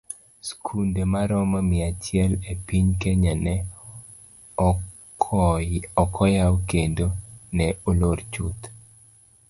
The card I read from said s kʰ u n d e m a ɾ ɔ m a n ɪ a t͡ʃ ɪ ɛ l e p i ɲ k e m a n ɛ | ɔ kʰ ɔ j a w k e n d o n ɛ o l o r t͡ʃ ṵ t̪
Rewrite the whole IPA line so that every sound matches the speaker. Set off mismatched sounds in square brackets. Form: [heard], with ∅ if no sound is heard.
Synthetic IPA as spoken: s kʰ u n d e m a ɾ ɔ m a [m] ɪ a t͡ʃ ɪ ɛ l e p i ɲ k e [ɲ] a n ɛ | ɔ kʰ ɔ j a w k e n d o n ɛ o l o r t͡ʃ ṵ t̪